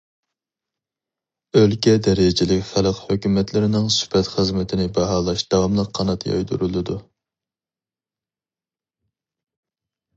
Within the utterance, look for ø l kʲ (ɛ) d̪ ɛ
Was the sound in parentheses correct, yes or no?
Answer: yes